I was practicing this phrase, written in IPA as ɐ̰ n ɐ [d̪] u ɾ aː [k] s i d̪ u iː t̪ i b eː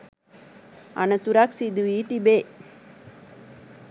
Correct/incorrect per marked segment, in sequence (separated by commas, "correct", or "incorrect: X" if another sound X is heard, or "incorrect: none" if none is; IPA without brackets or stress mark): incorrect: t̪, correct